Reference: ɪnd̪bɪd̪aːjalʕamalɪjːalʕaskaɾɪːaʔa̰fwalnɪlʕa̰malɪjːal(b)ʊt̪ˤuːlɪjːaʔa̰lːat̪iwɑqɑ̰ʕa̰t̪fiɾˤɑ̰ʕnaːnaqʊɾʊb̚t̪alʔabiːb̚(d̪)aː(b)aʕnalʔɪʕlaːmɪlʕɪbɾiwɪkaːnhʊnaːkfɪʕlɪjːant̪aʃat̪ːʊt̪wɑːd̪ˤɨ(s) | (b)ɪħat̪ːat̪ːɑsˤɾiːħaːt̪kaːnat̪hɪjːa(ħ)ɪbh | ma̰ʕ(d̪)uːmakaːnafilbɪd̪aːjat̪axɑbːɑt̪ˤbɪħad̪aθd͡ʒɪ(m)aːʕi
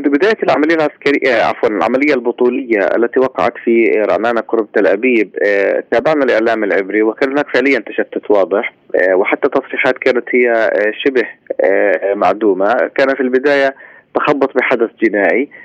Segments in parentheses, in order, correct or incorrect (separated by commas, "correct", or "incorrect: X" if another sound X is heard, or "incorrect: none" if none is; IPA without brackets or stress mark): correct, incorrect: t̪, correct, incorrect: ħ, incorrect: w, incorrect: ʃ, correct, incorrect: n